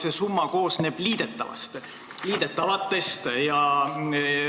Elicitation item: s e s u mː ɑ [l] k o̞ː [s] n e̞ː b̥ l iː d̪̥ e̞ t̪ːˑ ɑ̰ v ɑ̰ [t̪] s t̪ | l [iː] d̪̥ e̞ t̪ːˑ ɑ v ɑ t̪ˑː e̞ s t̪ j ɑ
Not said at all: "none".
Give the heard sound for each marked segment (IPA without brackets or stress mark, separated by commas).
none, s, none, iː